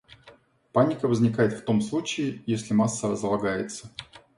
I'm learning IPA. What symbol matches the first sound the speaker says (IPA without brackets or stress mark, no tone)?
p